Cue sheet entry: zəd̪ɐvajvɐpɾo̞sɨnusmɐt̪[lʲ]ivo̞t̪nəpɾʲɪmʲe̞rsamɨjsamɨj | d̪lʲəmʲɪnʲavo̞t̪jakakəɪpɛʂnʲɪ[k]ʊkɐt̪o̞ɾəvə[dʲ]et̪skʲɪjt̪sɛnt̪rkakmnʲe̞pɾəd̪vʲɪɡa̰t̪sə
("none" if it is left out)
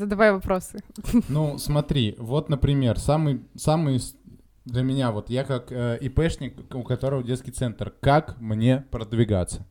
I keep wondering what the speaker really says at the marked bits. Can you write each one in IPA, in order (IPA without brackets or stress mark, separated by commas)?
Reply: ɾʲ, k, dʲ